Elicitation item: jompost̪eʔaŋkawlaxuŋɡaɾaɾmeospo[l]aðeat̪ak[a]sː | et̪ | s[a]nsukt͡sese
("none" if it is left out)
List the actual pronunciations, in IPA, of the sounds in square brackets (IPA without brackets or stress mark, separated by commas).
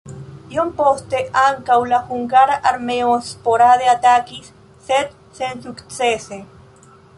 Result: ɾ, i, e